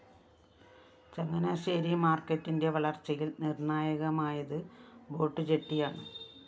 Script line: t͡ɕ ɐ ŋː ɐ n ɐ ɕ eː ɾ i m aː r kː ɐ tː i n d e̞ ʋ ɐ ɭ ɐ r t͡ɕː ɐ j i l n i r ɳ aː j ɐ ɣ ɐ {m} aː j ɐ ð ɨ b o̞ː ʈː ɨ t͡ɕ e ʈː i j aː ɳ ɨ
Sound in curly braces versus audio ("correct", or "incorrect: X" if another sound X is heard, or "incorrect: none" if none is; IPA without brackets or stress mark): correct